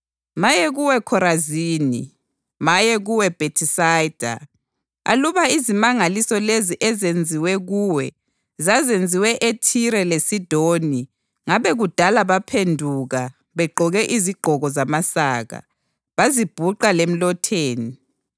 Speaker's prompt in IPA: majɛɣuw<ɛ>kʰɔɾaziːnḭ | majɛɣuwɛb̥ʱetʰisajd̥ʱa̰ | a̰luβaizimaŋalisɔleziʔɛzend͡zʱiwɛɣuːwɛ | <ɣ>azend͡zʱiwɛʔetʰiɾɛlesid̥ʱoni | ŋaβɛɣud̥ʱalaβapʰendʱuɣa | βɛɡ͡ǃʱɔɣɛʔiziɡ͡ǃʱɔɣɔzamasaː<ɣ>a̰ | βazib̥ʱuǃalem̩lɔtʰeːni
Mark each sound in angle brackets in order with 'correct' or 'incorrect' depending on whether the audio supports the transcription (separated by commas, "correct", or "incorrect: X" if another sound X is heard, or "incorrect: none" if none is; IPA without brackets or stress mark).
correct, incorrect: z, correct